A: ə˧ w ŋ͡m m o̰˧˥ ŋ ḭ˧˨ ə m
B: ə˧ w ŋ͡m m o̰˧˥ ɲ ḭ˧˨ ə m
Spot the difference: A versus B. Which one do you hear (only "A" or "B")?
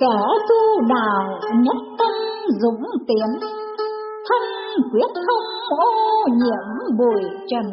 B